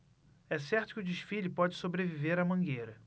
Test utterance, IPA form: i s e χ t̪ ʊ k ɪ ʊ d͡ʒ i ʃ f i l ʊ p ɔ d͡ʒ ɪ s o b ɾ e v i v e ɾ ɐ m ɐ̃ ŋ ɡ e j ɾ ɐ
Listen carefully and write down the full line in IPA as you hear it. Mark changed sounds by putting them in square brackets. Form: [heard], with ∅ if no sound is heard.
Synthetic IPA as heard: [ɛ] s [ɛ] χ t̪ ʊ k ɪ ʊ d͡ʒ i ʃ f i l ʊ p ɔ d͡ʒ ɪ s o b ɾ e v i v e ɾ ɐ m ɐ̃ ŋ ɡ e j ɾ ɐ